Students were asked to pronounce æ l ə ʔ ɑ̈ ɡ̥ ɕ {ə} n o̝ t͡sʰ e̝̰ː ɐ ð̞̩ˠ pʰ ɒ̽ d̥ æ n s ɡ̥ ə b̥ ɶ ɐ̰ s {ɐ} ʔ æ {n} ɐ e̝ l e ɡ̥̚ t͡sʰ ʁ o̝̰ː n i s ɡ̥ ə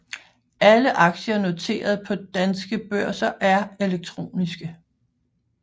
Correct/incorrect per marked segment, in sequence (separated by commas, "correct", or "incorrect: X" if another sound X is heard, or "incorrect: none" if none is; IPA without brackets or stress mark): incorrect: ɐ, correct, incorrect: none